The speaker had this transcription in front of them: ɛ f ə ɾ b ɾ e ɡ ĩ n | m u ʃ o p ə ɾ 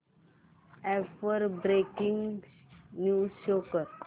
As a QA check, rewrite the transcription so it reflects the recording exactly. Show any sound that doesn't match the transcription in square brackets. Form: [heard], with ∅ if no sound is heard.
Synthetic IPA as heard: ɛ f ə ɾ b ɾ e [k] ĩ [ŋ] | [n] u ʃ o [k] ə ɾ